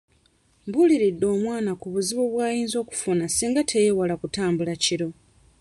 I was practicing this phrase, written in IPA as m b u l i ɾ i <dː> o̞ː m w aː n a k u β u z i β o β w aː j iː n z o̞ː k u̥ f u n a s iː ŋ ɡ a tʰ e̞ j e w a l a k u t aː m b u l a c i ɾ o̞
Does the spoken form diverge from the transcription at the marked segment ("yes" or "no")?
no